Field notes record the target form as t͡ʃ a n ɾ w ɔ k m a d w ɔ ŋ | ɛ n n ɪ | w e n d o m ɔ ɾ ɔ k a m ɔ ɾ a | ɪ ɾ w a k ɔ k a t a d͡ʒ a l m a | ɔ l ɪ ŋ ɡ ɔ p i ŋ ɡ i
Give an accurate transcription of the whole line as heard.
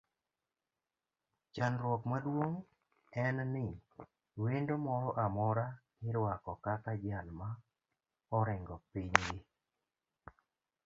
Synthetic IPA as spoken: t͡ʃ a n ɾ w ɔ k m a d w o ŋ | ɛ n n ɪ | w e n d o m ɔ ɾ ɔ ʔ a m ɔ ɾ a | ɪ ɾ w a k ɔ k a k a d͡ʒ a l m a | ɔ ɾ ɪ ŋ ɡ ɔ p i ɲ ɡ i

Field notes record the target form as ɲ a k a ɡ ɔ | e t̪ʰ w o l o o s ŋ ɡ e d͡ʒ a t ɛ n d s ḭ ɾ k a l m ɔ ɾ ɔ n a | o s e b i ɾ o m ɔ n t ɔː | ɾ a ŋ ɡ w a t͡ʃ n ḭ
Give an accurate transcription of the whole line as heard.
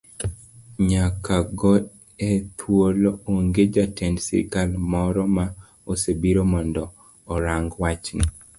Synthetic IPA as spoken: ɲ a k a ɡ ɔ | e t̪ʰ w o l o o ŋ ɡ e d͡ʒ a t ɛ n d s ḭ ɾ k a l m ɔ ɾ ɔ m a | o s e b i ɾ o m ɔ n d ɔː | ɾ a ŋ ɡ w a t͡ʃ n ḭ

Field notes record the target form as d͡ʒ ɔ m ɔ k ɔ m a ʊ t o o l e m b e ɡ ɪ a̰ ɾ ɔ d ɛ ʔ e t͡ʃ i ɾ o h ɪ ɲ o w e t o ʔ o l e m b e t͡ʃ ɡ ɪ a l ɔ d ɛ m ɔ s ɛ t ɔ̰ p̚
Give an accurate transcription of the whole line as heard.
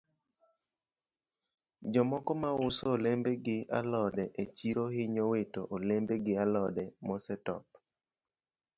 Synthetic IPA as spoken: d͡ʒ ɔ m ɔ k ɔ m a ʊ s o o l e m b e ɡ ɪ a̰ l ɔ d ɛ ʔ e t͡ʃ i ɾ o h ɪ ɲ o w e t o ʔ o l e m b e ɡ ɪ a l ɔ d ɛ m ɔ s ɛ t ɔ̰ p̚

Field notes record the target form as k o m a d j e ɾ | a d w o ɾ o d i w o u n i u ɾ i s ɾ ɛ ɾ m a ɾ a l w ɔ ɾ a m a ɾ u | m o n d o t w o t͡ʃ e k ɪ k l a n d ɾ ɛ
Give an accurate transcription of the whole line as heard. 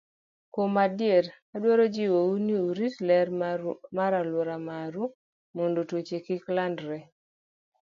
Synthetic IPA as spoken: k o m a d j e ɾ | a d w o ɾ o d͡ʒ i w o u n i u ɾ i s l ɛ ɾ m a ɾ a l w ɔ ɾ a m a ɾ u | m o n d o t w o t͡ʃ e k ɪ k l a n d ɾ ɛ

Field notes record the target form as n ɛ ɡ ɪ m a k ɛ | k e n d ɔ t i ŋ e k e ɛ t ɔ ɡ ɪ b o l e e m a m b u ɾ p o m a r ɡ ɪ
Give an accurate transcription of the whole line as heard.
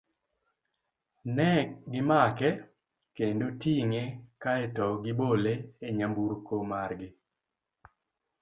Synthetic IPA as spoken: n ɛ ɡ ɪ m a k ɛ | k e n d o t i ŋ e k a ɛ t ɔ ɡ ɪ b o l e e ɲ a m b u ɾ k o m a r ɡ ɪ

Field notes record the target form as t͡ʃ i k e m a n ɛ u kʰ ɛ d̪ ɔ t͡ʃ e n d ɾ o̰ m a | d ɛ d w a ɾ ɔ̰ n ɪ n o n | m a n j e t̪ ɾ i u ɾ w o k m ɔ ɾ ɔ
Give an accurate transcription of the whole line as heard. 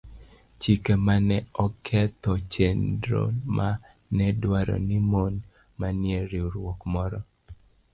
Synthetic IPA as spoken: t͡ʃ i k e m a n ɛ ɔ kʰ ɛ t̪ ɔ t͡ʃ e n d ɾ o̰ m a | n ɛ d w a ɾ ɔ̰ n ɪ m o n | m a n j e ɾ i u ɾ w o k m ɔ ɾ ɔ

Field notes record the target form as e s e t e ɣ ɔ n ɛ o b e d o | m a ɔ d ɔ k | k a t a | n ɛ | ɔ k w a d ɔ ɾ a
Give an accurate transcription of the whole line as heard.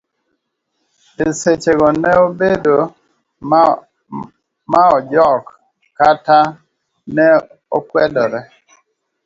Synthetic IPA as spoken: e s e t͡ʃ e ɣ ɔ n ɛ o b e d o | m a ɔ d͡ʒ ɔ k | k a t a | n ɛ | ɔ k w ɛ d ɔ ɾ ɛ

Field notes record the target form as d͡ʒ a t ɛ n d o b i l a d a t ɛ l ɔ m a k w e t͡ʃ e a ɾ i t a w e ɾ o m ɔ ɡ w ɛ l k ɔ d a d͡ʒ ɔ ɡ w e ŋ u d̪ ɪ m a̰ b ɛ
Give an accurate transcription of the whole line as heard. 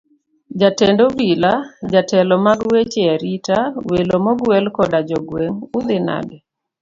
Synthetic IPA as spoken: d͡ʒ a t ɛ n d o b i l a d͡ʒ a t ɛ l ɔ m a ɡ w e t͡ʃ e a ɾ i t a w e l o m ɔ ɡ w ɛ l k ɔ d a d͡ʒ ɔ ɡ w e ŋ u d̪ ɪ n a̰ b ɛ

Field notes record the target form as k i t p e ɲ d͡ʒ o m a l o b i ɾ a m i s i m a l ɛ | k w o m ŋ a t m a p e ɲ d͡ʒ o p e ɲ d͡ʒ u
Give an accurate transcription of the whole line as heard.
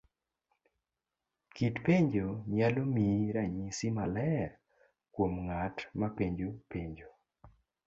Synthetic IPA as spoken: k i t p e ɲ d͡ʒ o ɲ a l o m i ɾ a ɲ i s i m a l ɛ | k w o m ŋ a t m a p e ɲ d͡ʒ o p e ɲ d͡ʒ o

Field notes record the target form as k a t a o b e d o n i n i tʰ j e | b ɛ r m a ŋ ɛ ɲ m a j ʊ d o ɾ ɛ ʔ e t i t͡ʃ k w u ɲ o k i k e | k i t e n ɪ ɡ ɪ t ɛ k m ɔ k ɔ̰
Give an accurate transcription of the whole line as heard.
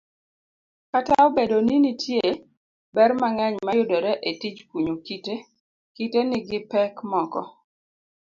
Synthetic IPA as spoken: k a t a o b e d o n i n i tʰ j e | b ɛ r m a ŋ ɛ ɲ m a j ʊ d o ɾ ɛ ʔ e t i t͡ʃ k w u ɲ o k i t e | k i t e n ɪ ɡ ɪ p ɛ k m ɔ k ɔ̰

